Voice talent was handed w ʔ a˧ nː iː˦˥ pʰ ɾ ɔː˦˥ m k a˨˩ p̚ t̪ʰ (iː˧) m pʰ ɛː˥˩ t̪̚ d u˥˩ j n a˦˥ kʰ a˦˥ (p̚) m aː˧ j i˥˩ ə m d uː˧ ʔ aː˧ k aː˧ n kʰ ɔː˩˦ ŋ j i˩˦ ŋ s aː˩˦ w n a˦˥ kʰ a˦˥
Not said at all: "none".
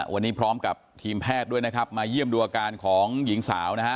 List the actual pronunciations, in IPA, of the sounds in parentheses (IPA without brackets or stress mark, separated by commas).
iː˧, p̚